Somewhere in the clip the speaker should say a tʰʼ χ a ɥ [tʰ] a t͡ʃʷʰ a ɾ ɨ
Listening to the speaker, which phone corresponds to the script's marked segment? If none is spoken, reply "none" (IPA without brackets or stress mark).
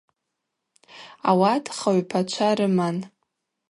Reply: pʰ